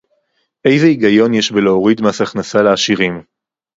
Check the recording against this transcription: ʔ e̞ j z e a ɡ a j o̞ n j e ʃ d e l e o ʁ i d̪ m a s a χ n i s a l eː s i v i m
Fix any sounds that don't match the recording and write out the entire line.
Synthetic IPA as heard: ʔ e̞ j z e i ɡ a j o̞ n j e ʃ b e l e o ʁ i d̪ m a s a χ n a s a l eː ʃ i ʁ i m